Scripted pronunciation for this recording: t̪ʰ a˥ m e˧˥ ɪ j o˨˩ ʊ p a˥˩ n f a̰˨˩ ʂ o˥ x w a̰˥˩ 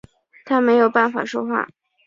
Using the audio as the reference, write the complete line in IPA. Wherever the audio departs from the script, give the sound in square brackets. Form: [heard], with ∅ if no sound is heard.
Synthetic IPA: t̪ʰ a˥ m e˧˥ ɪ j o˨˩ ʊ p a˥˩ n f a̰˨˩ ʂ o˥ x w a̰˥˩